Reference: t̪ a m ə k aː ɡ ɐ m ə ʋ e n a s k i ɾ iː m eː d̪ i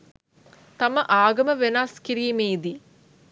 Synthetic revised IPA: t̪ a m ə ʔ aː ɡ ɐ m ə ʋ e n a s k i ɾ iː m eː d̪ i